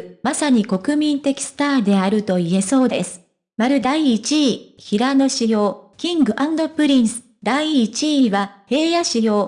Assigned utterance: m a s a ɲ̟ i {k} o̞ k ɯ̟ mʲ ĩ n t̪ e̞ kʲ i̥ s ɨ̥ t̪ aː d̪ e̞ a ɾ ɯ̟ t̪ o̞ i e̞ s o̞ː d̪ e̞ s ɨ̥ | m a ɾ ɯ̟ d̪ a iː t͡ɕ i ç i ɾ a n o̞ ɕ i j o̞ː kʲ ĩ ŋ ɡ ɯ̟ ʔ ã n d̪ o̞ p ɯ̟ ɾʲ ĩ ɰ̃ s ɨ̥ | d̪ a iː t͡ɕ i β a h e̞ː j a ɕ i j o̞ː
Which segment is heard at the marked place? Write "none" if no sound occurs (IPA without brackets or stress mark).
k